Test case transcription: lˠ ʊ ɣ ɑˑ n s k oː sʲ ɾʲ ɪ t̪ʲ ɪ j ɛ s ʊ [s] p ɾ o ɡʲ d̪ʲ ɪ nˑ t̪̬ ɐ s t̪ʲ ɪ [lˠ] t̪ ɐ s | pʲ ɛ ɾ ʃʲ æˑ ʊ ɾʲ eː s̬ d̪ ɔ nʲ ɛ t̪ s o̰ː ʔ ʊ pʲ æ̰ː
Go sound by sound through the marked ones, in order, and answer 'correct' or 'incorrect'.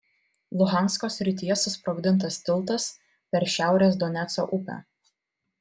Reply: correct, correct

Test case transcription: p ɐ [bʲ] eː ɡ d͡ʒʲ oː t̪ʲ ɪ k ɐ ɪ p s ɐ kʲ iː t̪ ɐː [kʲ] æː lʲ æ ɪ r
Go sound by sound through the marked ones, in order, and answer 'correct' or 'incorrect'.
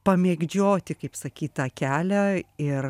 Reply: incorrect: mʲ, correct

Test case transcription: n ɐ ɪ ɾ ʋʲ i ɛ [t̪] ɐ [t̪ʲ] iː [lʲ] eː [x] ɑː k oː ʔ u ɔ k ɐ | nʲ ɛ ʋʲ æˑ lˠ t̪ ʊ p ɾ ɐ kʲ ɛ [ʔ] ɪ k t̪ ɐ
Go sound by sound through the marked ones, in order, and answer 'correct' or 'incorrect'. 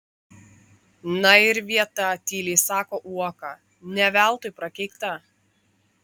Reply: correct, correct, correct, incorrect: s, incorrect: none

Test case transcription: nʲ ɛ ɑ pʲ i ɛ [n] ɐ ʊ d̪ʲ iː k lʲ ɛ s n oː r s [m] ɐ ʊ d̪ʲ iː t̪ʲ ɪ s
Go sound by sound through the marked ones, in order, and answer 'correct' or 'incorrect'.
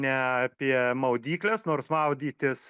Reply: incorrect: m, correct

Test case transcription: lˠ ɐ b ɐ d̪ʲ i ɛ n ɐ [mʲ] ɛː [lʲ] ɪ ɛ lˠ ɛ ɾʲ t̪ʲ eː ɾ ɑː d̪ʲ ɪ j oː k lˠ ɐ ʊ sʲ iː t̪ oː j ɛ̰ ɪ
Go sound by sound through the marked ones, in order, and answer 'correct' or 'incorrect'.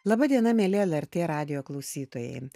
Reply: correct, correct

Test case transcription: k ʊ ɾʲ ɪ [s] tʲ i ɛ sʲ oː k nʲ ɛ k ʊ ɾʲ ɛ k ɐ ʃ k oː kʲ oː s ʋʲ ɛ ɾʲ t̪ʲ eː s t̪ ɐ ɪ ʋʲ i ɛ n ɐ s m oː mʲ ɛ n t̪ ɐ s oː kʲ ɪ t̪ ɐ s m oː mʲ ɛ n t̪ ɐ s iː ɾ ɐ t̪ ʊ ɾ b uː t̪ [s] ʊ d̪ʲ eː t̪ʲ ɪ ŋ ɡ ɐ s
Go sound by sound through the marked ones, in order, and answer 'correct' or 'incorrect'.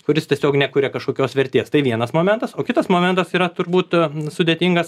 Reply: correct, correct

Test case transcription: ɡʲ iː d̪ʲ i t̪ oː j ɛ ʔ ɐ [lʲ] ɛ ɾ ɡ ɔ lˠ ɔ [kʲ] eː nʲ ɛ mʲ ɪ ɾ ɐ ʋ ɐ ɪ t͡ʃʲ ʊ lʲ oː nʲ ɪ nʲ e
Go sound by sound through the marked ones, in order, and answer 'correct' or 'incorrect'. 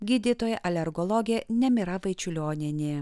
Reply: correct, incorrect: ɡʲ

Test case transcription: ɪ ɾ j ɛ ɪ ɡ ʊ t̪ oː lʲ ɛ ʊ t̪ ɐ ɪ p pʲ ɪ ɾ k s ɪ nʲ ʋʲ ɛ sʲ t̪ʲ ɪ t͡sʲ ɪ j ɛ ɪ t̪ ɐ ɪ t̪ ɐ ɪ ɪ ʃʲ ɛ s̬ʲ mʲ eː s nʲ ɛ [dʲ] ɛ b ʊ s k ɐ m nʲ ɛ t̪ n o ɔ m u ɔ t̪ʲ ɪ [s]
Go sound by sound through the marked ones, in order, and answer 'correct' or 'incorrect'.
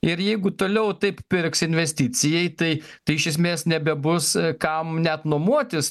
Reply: incorrect: bʲ, correct

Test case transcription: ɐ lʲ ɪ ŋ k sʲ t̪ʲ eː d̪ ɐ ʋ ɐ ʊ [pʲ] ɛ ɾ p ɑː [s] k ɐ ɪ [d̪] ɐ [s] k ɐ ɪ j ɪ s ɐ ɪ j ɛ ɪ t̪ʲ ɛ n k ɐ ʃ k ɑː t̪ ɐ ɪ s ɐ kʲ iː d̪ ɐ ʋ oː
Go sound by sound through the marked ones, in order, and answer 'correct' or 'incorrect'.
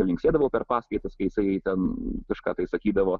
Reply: correct, correct, incorrect: t̪, correct

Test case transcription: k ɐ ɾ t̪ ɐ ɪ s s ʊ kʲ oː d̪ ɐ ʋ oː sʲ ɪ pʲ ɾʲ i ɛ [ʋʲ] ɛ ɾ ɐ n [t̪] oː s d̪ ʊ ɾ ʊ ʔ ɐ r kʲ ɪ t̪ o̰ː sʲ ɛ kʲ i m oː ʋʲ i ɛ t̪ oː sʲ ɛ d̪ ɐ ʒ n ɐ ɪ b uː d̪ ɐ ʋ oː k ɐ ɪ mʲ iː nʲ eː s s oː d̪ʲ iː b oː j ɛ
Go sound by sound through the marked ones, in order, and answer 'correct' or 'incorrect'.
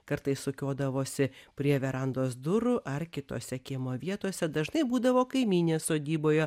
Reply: correct, incorrect: d̪

